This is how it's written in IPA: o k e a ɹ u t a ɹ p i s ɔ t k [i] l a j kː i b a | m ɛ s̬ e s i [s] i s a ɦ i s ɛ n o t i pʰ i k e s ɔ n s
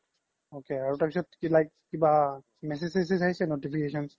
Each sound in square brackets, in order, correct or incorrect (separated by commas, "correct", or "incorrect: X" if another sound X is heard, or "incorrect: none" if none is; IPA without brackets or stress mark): correct, correct